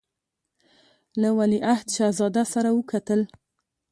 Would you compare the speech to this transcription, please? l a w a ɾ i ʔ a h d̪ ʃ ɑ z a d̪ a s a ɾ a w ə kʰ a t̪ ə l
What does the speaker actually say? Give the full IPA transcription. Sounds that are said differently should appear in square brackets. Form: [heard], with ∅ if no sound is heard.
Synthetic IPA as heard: l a w a [l] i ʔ a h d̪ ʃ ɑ z [ɑ] d̪ a s a ɾ a w ə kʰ a t̪ ə l